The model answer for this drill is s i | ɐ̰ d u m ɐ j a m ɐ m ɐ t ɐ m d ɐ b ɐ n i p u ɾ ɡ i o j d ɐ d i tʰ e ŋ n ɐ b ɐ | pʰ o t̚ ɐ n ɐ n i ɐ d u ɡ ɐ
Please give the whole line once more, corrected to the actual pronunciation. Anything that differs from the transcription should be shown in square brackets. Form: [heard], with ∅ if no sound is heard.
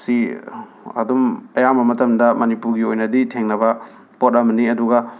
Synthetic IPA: s i | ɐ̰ d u m ɐ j a m ɐ m ɐ t ɐ m d ɐ [m] ɐ n i p u ɾ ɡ i o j [n] ɐ d i tʰ e ŋ n ɐ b ɐ | [p] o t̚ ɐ [m] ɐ n i ɐ d u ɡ ɐ